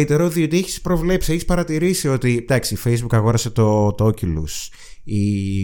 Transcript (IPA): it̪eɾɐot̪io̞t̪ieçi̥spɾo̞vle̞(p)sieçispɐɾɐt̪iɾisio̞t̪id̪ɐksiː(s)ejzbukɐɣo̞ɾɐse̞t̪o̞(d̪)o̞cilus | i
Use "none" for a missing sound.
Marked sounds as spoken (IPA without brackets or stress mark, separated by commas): p, f, t̪